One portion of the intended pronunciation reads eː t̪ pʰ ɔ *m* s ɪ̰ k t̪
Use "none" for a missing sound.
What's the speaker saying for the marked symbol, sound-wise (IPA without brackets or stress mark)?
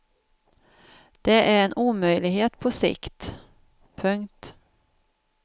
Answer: none